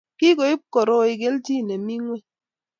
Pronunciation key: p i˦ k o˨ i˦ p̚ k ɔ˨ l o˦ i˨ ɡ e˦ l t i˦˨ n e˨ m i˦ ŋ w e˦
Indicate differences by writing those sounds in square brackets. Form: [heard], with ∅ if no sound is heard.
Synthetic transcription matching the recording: [k] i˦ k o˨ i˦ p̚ k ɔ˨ [ɾ] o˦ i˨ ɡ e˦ l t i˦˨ n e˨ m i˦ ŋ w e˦

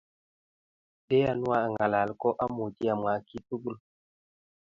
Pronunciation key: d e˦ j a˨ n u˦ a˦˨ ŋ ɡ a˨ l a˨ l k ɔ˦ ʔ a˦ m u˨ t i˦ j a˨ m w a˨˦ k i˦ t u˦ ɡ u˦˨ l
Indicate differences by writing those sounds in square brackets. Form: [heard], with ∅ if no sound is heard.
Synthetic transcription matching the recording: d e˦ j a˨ n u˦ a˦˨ ŋ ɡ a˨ l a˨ l k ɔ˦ ʔ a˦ m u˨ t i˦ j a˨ m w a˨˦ k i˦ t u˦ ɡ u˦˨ l

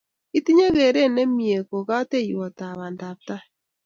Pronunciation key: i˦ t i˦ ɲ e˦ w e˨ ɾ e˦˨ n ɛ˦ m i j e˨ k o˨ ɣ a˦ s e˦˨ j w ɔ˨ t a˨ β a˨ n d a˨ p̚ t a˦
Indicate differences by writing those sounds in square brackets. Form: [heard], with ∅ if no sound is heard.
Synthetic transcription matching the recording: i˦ t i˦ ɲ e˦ [ɣ] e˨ ɾ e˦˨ n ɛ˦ m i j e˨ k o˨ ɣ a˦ [t] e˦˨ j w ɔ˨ t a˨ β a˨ n d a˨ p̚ t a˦

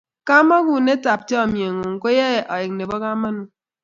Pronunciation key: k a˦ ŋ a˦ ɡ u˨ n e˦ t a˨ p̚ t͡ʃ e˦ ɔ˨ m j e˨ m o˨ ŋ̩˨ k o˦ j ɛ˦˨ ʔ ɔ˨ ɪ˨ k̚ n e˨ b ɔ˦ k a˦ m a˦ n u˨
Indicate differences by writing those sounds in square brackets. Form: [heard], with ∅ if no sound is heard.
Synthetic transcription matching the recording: k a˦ [m] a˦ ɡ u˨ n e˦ t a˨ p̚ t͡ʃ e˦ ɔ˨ m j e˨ [ŋ] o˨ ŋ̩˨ k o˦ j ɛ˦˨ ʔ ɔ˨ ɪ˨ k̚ n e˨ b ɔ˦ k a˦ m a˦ n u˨

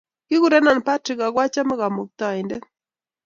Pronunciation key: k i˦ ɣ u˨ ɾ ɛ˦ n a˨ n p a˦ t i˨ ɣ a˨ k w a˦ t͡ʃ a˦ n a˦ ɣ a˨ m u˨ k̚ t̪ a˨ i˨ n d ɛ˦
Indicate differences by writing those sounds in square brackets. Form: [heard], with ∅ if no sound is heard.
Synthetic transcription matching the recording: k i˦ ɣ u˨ ɾ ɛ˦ n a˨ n p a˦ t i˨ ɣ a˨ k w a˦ t͡ʃ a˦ [m] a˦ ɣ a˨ m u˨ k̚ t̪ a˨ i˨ n d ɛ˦

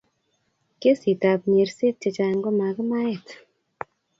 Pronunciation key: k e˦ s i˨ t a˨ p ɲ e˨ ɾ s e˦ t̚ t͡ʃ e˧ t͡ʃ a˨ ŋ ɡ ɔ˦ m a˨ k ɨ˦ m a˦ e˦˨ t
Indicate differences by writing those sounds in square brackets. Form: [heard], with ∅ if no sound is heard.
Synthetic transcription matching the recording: k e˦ s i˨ t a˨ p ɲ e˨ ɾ s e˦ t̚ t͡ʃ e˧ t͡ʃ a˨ ŋ ɡ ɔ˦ m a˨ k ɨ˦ m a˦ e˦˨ t

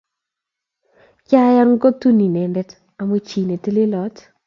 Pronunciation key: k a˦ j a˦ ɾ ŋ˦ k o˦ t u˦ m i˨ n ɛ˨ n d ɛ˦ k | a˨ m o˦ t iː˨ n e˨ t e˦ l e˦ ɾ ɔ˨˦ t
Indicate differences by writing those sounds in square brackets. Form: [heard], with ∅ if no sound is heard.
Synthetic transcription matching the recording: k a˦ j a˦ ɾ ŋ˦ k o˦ t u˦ [n] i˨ n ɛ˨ n d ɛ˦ [t] | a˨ m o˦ [t͡ʃ] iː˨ n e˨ t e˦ l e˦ [l] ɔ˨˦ t

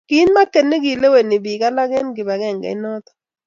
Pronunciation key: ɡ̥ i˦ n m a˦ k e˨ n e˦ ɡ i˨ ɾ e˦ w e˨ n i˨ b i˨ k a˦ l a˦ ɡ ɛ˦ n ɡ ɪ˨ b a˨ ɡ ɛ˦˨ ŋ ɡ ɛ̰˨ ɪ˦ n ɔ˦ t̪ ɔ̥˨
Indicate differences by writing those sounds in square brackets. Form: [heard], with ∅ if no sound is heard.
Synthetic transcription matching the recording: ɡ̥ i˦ n m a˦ k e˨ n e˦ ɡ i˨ [l] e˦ w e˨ n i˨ b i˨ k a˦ l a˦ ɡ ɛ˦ n ɡ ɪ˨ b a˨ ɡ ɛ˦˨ ŋ ɡ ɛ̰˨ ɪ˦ n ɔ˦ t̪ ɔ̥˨

